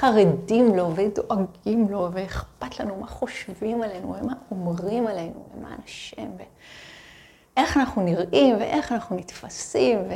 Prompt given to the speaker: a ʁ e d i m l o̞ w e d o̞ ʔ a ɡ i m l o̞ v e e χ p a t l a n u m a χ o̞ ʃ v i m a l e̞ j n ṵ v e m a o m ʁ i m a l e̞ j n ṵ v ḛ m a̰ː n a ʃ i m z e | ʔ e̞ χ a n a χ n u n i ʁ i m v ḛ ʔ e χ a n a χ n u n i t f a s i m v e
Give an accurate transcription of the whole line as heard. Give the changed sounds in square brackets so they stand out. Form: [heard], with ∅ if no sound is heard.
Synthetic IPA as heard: a ʁ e d i m l o̞ [v] e d o̞ ʔ a ɡ i m l o̞ v e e χ p a t l a n u m a χ o̞ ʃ v i m a l e̞ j n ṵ v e m a o m ʁ i m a l e̞ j n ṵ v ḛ m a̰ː n a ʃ i m [v] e | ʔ e̞ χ a n a χ n u n i ʁ i m v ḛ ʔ e χ a n a χ n u n i t f a s i m v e